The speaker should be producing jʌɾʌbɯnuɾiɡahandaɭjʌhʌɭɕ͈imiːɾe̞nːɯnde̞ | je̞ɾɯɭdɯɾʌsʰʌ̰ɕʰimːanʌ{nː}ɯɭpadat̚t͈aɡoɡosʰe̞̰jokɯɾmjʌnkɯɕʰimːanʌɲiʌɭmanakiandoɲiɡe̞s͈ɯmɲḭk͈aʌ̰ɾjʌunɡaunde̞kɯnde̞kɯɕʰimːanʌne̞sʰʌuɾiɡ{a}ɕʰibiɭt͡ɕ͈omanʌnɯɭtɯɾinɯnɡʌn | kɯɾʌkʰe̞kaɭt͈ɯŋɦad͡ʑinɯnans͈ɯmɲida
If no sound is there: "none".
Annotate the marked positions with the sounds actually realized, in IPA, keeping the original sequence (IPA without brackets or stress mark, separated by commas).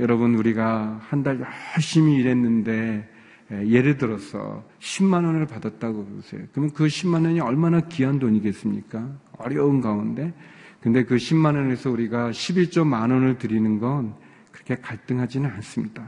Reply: n, a